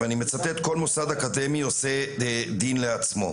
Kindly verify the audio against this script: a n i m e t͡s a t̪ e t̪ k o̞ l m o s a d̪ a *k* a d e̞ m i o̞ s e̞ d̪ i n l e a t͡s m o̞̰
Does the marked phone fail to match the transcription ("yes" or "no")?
no